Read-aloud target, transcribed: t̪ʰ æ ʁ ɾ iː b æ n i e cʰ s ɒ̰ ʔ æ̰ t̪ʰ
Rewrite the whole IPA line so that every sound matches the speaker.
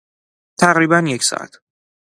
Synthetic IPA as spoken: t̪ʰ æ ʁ ɾ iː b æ n j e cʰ s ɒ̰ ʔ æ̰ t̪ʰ